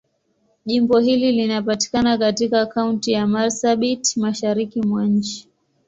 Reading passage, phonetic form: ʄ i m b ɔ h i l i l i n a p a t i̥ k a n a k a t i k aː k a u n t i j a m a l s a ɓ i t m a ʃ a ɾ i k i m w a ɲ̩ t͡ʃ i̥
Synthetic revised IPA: ʄ i m b ɔ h i l i l i n a p a t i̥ k a n a k a t i k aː k a u n t i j a m a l s a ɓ i t m a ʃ a ɾ i k i m w a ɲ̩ t͡ʃ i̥